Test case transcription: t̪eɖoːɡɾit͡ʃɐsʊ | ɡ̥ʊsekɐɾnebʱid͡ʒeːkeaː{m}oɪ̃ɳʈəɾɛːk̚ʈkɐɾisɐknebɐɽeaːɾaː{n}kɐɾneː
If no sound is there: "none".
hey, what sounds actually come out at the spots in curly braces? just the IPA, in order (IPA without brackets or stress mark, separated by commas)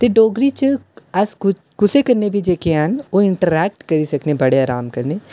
n, m